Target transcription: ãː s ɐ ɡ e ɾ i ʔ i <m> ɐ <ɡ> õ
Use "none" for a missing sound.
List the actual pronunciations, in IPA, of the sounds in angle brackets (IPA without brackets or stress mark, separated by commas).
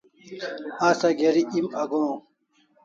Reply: m, ɡ